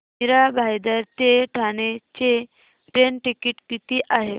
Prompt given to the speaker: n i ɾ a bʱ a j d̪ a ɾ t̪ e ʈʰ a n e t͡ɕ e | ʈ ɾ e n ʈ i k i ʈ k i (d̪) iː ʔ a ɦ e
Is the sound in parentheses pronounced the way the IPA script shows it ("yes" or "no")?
no